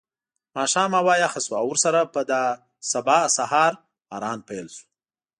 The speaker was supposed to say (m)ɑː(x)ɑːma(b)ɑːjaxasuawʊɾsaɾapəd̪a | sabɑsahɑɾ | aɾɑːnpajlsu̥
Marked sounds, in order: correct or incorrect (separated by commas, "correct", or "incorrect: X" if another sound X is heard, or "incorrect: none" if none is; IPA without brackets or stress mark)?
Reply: correct, incorrect: ʃ, incorrect: w